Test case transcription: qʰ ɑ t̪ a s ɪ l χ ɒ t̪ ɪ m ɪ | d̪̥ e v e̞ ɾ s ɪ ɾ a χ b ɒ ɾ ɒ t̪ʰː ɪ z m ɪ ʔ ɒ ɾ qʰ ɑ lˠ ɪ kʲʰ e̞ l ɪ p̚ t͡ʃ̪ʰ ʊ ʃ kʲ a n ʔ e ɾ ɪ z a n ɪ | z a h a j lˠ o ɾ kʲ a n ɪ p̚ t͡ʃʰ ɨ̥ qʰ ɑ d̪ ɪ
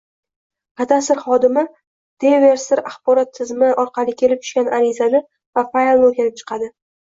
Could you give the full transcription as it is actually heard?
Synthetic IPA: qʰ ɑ t̪ a s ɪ ɾ χ ɒ d̪ ɪ m ɪ | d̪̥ e v e̞ ɾ s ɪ ɾ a χ b ɒ ɾ ɒ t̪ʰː ɪ z m ɪ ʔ ɒ ɾ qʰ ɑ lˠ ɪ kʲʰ e̞ l ɪ p̚ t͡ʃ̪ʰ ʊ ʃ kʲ a n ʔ a ɾ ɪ z a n ɪ | v a f a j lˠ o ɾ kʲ a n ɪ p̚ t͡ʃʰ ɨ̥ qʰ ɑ d̪ ɪ